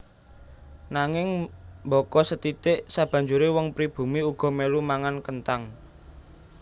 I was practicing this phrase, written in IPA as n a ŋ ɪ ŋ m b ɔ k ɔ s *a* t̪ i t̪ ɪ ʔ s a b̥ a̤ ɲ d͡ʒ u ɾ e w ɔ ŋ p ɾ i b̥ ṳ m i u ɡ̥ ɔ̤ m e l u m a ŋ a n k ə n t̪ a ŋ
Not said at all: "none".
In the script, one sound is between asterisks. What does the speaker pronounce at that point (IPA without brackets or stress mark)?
ə